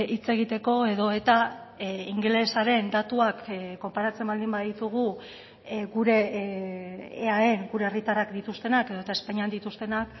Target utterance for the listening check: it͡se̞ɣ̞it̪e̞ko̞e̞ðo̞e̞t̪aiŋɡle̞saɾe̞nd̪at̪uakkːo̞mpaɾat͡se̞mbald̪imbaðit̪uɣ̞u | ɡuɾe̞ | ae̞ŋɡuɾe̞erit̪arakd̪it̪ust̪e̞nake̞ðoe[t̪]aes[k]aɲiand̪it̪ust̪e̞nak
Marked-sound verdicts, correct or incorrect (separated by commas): correct, incorrect